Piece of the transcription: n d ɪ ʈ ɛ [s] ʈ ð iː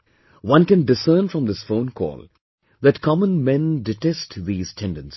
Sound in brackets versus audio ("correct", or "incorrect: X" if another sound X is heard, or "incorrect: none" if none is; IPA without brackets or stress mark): correct